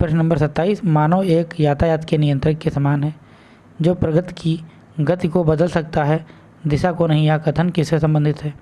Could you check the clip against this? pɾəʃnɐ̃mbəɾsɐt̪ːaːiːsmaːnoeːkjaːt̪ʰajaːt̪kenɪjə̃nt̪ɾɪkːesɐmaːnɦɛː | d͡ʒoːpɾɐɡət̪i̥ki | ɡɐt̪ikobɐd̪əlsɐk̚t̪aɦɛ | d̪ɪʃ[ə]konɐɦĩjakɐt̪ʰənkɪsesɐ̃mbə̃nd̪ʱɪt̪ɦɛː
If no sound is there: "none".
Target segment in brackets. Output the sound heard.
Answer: a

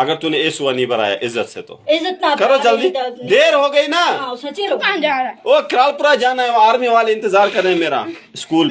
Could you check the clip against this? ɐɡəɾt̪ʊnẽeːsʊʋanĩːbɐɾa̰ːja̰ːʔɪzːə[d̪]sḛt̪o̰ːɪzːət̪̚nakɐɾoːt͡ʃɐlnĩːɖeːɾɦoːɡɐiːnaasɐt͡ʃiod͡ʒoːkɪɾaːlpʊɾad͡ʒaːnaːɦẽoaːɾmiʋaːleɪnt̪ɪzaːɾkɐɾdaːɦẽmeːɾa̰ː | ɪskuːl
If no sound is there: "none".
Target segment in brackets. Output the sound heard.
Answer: t̪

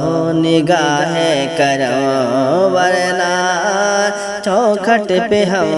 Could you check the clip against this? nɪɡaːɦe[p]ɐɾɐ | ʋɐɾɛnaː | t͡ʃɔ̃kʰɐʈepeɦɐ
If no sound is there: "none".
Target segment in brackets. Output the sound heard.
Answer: k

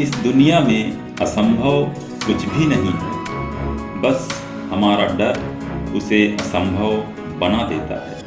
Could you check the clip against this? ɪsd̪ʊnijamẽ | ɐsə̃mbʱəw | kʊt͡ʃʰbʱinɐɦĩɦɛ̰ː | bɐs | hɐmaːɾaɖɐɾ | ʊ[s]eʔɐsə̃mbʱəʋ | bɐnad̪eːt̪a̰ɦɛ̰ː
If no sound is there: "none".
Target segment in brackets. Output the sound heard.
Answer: s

